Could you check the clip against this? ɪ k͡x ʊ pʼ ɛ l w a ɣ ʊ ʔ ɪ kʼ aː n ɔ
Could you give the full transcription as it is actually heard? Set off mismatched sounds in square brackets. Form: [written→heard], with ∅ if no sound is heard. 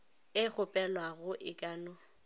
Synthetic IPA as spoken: ɪ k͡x ʊ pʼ ɛ l w a ɣ ʊ ʔ ɪ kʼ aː n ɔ